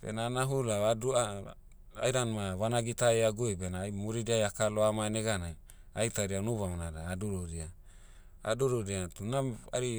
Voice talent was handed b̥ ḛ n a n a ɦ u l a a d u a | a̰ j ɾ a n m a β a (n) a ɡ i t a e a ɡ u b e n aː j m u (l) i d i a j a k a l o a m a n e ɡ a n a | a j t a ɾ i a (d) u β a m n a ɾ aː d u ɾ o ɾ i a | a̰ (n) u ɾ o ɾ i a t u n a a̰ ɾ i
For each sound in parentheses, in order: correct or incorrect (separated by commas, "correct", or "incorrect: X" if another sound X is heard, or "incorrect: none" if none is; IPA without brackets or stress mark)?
correct, incorrect: ɾ, incorrect: n, incorrect: d